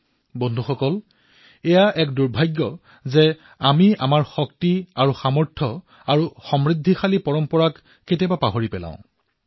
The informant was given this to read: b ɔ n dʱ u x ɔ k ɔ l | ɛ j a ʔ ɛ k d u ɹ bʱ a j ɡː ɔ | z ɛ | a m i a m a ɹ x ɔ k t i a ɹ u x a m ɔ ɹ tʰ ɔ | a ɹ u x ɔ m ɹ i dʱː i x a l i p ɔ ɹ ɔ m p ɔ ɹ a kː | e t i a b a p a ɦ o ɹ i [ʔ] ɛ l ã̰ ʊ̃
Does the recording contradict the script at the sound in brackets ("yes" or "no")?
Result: yes